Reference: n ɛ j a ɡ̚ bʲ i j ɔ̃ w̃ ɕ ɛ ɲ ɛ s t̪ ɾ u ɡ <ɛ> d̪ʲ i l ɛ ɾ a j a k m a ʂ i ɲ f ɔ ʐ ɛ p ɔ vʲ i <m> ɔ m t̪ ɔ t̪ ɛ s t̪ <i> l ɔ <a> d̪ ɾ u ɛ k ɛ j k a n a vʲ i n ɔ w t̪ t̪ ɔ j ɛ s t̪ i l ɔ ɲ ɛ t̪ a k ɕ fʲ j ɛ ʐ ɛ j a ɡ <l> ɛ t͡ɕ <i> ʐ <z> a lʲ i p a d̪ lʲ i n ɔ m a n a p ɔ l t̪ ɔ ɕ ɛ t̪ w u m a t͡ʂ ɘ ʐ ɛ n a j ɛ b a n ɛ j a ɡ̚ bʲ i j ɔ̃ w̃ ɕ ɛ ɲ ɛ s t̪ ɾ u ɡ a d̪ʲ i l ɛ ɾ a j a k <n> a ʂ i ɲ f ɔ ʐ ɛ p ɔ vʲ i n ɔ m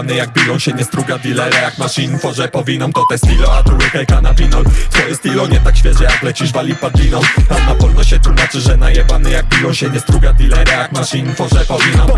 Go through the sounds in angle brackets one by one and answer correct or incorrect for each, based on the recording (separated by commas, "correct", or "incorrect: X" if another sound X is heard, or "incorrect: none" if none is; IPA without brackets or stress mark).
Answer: incorrect: a, incorrect: n, correct, correct, correct, correct, incorrect: v, incorrect: m